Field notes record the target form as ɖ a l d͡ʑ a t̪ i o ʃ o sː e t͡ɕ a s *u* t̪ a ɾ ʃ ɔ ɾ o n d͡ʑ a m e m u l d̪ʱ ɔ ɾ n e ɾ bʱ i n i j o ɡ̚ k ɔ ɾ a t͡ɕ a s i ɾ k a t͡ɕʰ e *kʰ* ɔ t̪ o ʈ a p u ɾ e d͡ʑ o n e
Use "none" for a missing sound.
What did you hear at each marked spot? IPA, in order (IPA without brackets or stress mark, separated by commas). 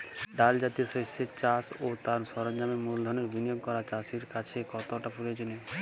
o, k